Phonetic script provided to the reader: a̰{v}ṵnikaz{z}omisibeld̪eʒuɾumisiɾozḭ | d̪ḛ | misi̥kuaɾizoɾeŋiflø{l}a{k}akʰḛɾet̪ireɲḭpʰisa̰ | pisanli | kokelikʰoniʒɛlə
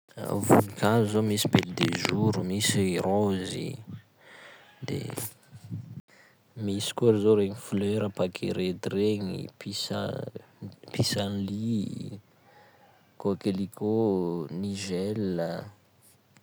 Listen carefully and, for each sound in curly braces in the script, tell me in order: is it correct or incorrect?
correct, correct, incorrect: ɾ, incorrect: p

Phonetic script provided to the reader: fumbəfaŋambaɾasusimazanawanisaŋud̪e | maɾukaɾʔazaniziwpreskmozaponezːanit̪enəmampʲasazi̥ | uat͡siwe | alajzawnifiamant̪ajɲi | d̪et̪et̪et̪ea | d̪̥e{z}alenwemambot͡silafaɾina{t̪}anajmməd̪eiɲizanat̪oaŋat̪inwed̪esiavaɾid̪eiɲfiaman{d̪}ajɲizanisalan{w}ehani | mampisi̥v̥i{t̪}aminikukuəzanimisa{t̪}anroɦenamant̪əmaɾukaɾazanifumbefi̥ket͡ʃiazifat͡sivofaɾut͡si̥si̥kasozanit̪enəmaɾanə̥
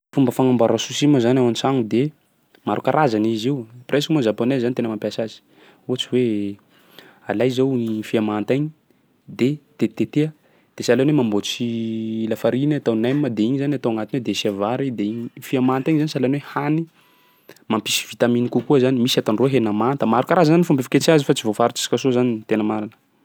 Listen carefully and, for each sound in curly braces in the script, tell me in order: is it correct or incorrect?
incorrect: s, correct, incorrect: t̪, correct, correct, correct

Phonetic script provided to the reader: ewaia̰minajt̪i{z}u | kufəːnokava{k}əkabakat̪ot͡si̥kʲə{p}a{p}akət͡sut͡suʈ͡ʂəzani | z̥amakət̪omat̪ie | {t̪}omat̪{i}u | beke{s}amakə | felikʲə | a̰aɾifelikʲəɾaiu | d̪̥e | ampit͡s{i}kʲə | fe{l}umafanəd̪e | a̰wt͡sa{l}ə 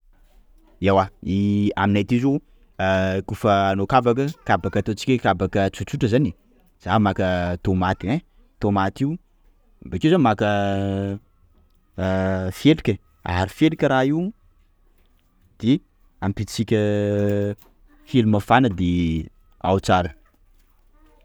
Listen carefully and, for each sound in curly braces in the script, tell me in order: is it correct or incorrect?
correct, correct, incorrect: k, incorrect: b, correct, correct, incorrect: z, correct, correct, incorrect: ɾ

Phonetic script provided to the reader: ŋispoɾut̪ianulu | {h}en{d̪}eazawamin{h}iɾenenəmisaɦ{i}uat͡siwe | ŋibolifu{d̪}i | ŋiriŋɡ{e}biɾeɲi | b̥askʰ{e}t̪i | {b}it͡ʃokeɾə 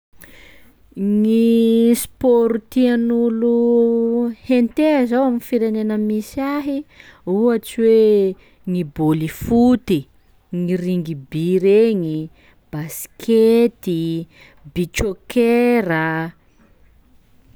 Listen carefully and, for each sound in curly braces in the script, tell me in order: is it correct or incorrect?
correct, incorrect: t̪, incorrect: f, correct, incorrect: t̪, incorrect: i, correct, correct

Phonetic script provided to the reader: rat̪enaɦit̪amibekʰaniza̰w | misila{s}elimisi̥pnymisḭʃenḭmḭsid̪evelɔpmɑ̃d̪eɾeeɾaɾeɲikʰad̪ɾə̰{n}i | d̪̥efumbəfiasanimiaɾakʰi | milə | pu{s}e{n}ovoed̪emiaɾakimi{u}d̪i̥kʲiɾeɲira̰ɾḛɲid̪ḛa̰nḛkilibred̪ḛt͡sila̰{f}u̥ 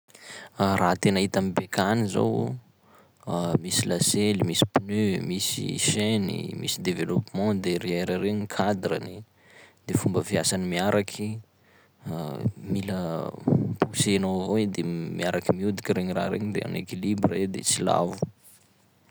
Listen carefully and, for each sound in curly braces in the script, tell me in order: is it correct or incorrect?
correct, correct, correct, correct, correct, incorrect: v

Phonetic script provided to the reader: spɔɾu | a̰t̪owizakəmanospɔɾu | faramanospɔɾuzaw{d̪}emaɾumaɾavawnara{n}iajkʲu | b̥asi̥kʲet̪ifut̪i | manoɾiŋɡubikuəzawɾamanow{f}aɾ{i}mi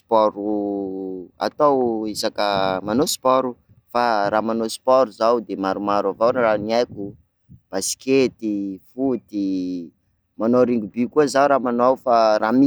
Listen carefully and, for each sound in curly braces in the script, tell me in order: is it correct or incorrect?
correct, correct, correct, incorrect: a

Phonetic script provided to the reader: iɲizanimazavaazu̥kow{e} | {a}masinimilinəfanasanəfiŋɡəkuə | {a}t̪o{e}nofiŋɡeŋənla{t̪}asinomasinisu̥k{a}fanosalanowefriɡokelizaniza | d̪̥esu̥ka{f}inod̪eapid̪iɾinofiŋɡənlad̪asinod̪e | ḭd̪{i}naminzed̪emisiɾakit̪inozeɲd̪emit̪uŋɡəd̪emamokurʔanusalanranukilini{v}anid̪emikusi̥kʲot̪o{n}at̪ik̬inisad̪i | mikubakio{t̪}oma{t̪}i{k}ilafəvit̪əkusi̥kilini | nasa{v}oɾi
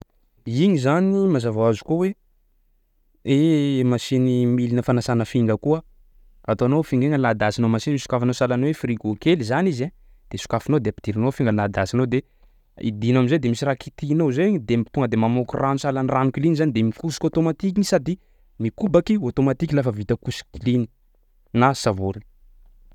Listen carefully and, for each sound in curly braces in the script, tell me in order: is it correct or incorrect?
correct, incorrect: e, correct, incorrect: a, incorrect: d̪, correct, correct, correct, incorrect: z, incorrect: m, correct, correct, correct, correct

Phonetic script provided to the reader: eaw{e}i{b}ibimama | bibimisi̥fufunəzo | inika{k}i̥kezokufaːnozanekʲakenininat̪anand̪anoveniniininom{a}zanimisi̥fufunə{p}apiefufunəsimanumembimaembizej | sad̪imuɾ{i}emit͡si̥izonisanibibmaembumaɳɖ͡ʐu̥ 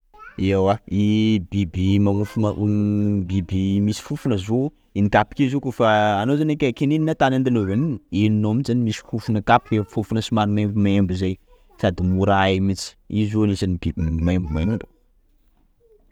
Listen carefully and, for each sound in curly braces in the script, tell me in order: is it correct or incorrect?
incorrect: a, correct, incorrect: p, incorrect: i, incorrect: k, incorrect: a

